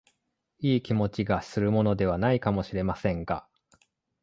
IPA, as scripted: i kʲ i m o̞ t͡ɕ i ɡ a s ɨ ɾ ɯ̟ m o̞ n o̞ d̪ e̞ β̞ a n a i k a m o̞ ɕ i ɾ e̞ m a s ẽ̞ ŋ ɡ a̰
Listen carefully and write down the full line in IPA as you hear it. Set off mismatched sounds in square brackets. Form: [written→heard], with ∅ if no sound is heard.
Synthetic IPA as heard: [i→iː] kʲ i m o̞ t͡ɕ i ɡ a s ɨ ɾ ɯ̟ m o̞ n o̞ d̪ e̞ β̞ a n a i k a m o̞ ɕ i ɾ e̞ m a s ẽ̞ ŋ ɡ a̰